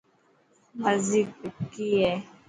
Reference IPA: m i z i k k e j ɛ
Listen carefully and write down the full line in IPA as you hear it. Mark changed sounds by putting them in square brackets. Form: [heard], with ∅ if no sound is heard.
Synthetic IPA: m [a] z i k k [i] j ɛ